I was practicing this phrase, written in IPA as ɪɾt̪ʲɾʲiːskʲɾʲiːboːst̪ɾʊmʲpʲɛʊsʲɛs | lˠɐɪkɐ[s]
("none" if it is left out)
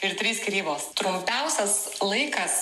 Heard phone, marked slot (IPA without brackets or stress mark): s